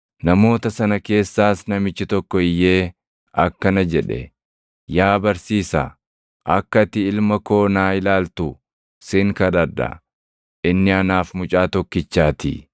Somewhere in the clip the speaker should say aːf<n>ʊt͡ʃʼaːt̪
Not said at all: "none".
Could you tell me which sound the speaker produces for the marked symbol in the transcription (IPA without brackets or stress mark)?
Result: m